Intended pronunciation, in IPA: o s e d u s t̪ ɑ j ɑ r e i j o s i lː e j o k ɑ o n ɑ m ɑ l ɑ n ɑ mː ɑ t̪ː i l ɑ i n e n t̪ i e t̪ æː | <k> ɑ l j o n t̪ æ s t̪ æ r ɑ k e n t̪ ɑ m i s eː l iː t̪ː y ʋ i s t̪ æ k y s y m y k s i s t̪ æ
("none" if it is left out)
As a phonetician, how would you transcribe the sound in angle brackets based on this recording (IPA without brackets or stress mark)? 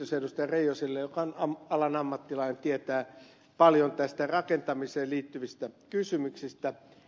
p